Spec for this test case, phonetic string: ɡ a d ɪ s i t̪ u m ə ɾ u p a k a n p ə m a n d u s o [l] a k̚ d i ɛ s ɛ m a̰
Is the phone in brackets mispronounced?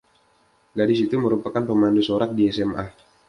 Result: yes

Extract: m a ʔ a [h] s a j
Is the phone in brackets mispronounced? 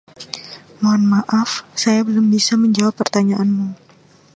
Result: yes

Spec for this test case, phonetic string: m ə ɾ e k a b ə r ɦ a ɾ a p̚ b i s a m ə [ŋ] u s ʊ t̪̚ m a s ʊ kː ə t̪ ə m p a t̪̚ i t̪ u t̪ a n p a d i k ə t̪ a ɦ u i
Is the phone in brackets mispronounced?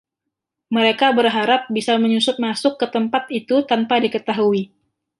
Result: yes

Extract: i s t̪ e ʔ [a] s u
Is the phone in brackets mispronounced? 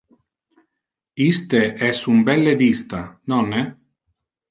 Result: yes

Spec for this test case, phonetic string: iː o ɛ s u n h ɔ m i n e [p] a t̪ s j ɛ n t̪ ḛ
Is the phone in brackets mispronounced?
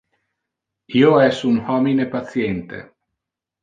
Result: no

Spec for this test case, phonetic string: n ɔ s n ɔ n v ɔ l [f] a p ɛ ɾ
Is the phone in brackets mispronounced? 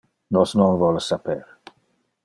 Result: yes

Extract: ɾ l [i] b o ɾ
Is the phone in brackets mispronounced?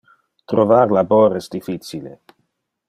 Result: yes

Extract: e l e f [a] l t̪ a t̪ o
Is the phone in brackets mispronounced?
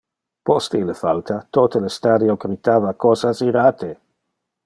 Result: no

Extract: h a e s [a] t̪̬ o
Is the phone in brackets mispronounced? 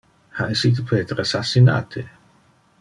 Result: yes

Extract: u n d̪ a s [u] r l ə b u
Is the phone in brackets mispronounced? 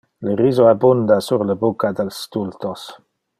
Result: no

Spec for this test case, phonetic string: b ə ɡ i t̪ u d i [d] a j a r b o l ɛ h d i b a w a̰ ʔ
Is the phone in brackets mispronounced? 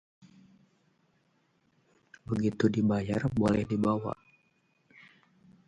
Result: yes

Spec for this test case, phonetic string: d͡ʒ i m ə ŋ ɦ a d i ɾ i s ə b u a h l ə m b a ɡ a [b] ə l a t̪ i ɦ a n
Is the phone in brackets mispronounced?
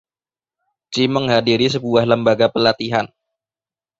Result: yes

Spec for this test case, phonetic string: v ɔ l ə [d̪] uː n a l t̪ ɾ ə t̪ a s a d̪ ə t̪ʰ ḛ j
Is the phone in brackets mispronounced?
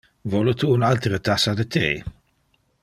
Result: yes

